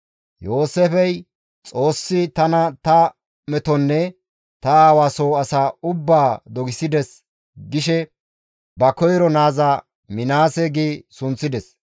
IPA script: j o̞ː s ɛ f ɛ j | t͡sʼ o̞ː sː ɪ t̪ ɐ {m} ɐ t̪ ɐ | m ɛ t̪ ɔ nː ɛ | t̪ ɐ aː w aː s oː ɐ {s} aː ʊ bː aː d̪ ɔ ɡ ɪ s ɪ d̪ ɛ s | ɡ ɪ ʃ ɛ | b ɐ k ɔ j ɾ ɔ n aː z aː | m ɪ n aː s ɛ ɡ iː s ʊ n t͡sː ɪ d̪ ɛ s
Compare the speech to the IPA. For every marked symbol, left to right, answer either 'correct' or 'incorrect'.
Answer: incorrect, correct

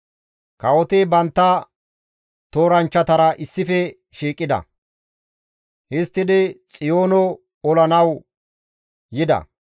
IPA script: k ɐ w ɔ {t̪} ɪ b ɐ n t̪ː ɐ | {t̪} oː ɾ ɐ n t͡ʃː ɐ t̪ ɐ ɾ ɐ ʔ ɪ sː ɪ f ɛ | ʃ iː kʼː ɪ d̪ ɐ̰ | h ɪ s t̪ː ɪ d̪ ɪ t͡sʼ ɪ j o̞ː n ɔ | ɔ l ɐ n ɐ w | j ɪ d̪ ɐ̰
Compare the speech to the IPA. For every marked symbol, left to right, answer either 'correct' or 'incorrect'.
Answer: correct, correct

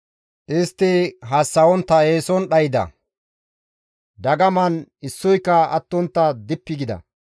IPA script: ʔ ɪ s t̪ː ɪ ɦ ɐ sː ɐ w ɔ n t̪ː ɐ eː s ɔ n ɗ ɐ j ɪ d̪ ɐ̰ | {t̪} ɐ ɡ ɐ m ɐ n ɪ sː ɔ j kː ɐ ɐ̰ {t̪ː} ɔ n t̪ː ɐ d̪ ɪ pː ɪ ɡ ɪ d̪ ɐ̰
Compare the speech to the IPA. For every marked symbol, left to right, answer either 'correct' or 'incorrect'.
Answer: incorrect, correct

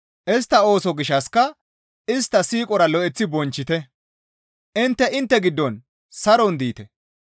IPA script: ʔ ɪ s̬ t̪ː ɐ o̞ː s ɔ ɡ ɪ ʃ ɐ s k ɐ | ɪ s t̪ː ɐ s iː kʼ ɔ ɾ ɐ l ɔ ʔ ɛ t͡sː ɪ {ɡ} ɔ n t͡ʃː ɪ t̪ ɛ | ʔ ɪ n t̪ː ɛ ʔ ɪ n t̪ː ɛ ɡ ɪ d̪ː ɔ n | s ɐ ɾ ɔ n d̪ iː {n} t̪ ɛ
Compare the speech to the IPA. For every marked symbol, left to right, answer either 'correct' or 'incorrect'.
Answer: incorrect, incorrect

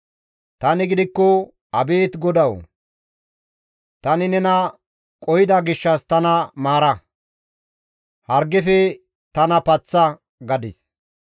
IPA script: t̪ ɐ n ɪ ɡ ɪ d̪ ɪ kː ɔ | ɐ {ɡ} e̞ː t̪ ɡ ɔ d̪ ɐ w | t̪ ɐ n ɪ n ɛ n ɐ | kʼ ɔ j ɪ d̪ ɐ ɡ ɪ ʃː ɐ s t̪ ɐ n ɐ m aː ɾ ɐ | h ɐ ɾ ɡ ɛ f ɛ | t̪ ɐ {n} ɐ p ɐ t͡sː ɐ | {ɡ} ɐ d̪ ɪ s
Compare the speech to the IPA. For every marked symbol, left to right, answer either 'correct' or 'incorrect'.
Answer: incorrect, correct, correct

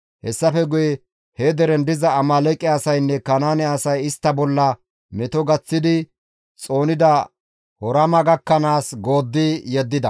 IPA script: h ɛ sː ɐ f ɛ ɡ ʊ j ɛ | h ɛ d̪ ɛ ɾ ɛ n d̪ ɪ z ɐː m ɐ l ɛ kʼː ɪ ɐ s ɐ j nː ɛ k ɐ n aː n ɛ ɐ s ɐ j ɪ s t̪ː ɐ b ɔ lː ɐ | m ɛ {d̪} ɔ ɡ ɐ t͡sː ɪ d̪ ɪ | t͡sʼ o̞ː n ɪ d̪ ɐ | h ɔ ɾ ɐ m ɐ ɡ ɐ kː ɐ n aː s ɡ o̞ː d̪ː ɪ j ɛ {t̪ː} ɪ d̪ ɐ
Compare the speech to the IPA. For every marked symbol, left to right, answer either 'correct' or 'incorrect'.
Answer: incorrect, incorrect

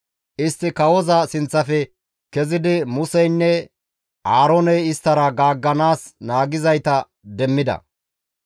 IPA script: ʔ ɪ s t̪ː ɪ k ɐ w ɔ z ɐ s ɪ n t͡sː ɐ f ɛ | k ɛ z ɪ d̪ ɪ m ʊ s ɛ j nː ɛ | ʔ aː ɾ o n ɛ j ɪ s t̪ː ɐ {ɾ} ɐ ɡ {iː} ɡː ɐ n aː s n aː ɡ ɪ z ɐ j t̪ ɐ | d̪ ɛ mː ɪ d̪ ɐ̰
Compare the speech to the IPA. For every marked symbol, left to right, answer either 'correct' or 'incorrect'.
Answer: correct, incorrect

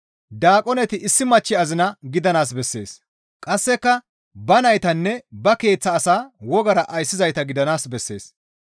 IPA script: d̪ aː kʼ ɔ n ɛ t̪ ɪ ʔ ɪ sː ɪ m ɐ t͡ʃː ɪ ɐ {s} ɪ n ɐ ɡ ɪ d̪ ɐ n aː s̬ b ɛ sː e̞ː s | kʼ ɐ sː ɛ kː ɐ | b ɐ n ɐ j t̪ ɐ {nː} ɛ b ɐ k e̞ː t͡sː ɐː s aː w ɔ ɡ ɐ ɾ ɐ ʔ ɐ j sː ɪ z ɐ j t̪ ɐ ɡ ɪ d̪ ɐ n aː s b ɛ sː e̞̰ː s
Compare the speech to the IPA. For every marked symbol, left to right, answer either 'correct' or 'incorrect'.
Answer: incorrect, correct

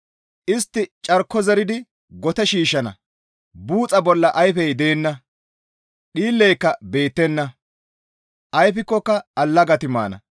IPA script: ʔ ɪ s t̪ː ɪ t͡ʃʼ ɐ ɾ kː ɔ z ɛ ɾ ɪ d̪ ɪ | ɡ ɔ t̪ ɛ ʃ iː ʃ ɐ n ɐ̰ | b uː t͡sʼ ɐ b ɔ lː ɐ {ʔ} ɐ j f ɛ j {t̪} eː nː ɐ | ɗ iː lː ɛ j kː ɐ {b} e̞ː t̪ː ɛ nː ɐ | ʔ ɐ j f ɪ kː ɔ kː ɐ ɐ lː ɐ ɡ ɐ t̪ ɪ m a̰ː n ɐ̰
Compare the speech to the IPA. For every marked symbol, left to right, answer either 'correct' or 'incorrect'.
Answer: correct, incorrect, correct

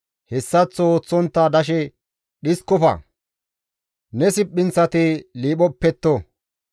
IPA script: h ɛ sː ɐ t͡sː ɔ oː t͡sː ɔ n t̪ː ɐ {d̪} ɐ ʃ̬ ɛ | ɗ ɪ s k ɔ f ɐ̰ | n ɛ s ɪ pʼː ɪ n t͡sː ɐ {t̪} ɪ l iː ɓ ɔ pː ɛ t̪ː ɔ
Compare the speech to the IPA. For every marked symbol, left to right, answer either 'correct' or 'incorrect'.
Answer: correct, correct

